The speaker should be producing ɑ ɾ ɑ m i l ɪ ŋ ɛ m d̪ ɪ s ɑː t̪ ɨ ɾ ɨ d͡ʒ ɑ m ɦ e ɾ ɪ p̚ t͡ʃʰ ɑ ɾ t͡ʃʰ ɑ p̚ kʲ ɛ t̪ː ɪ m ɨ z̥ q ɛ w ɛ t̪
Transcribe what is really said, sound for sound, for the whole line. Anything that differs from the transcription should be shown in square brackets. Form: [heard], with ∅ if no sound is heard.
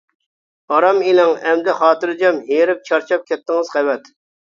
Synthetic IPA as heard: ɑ ɾ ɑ m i l ɪ ŋ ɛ m d̪ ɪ [χ] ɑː t̪ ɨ ɾ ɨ d͡ʒ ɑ m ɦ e ɾ ɪ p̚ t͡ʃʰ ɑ ɾ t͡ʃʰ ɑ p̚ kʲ ɛ t̪ː ɪ [ŋ] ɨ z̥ q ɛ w ɛ t̪